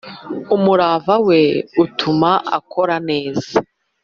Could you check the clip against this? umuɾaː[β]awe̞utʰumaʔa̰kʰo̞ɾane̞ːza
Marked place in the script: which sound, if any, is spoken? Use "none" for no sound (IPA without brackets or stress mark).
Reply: v